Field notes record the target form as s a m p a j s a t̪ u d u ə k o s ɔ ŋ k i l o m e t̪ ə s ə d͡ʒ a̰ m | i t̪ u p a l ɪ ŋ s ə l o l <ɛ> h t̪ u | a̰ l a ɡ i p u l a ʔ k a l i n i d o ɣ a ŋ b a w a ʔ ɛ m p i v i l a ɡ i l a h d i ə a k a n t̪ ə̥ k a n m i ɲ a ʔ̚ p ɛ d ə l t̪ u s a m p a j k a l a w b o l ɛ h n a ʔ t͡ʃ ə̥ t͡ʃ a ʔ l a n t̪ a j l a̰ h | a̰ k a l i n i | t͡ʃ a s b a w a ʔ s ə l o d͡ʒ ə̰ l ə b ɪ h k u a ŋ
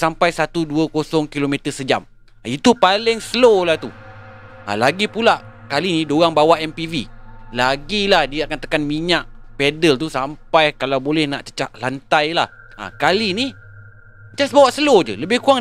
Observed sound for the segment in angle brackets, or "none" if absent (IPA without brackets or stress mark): a